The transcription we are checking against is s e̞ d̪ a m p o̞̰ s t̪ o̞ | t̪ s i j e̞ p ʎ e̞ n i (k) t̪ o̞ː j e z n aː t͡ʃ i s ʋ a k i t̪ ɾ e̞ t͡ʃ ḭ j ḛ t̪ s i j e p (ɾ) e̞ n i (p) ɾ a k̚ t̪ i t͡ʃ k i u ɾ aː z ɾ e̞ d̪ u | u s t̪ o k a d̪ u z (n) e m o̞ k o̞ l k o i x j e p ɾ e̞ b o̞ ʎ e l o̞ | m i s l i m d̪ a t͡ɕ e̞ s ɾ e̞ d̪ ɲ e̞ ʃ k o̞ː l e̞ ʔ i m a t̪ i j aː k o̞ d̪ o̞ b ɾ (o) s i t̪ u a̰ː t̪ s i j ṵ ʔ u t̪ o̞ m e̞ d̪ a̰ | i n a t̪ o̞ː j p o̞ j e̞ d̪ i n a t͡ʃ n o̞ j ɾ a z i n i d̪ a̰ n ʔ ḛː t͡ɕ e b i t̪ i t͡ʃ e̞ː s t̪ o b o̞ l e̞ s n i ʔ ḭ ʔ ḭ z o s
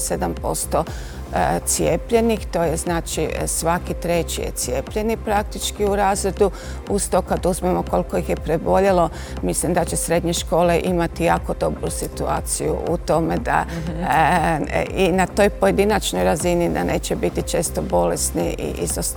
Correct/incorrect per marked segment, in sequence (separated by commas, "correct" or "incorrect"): incorrect, incorrect, correct, incorrect, incorrect